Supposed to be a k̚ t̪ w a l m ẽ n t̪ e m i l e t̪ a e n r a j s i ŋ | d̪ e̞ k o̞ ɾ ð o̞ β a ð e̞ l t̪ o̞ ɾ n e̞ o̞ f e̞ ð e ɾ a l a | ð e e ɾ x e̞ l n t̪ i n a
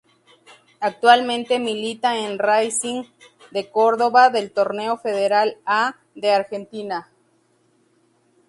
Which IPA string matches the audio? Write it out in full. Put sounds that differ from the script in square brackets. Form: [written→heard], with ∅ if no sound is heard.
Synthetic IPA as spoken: a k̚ t̪ w a l m ẽ n t̪ e m i l [e→i] t̪ a e n r a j s i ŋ | d̪ e̞ k o̞ ɾ ð o̞ β a ð e̞ l t̪ o̞ ɾ n e̞ o̞ f e̞ ð e ɾ a l a | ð e [e→a] ɾ x e̞ [l→∅] n t̪ i n a